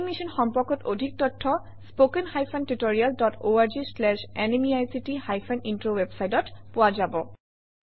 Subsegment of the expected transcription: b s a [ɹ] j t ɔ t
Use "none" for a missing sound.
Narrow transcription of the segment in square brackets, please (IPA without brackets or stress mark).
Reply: none